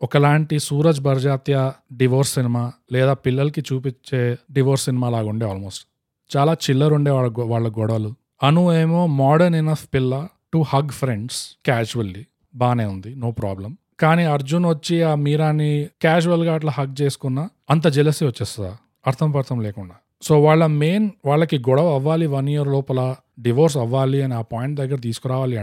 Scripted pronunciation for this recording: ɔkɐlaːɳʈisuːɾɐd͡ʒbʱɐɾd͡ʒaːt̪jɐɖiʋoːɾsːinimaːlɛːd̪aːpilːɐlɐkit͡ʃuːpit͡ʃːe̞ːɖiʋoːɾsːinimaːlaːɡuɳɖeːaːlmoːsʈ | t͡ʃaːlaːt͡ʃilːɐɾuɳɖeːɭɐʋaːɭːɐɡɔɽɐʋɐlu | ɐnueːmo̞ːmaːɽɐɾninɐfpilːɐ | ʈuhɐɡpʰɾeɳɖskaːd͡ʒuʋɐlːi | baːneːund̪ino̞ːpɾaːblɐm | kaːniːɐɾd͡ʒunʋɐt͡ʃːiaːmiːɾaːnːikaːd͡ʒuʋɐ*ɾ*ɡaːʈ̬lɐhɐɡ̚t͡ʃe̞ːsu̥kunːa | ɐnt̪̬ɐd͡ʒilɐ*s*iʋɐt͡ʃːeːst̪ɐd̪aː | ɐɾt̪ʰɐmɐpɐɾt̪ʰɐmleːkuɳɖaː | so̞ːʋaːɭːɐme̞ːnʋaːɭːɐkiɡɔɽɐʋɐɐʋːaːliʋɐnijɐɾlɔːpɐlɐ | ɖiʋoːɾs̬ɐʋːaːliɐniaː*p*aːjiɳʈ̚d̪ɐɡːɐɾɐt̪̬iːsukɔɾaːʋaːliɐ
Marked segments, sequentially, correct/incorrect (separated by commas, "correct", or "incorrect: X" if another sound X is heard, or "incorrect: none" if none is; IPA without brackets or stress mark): incorrect: l, correct, correct